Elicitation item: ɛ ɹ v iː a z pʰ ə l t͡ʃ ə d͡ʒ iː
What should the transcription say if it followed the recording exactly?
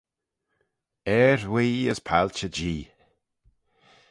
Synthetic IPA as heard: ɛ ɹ w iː ə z pʰ a l t͡ʃ ə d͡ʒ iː